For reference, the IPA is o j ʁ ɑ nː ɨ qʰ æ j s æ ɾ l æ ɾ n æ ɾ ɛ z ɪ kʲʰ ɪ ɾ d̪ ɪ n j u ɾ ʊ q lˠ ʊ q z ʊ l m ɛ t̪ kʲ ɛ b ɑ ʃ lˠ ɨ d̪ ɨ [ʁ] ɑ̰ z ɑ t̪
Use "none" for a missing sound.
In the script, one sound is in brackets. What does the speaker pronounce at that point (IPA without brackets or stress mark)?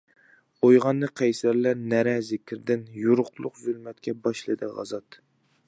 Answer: ʁ